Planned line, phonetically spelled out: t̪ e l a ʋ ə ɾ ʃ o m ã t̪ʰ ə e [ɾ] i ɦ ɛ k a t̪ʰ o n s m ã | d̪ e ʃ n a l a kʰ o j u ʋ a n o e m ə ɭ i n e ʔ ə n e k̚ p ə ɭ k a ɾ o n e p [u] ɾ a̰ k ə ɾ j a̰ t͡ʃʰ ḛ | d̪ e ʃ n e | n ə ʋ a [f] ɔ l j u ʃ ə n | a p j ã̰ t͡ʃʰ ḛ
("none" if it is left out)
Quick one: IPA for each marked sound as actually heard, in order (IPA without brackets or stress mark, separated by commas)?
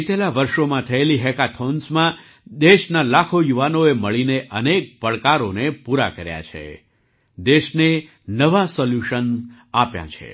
l, u, s